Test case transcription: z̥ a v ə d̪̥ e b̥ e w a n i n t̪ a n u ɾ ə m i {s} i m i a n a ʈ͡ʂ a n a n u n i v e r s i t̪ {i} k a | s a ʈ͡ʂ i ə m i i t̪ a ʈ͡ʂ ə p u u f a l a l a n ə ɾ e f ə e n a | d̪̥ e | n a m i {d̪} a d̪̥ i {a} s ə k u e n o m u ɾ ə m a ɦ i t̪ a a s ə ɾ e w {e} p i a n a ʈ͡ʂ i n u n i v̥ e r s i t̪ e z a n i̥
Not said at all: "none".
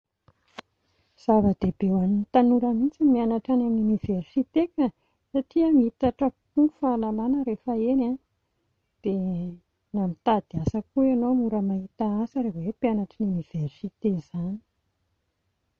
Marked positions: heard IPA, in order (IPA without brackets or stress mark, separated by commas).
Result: t͡s, e, t̪, a, e